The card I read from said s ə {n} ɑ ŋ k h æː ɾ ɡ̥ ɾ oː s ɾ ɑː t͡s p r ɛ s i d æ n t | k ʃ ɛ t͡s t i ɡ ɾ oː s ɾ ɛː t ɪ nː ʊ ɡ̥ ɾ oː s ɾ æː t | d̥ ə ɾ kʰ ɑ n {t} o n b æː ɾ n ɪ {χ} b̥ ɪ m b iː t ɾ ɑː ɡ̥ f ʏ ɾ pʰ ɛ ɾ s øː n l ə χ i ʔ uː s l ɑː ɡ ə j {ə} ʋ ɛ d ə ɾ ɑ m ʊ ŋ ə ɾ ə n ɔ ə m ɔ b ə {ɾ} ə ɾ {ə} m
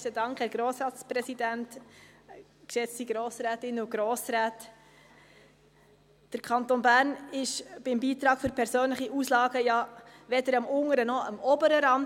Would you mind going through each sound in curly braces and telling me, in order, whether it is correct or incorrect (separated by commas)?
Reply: incorrect, correct, incorrect, incorrect, correct, incorrect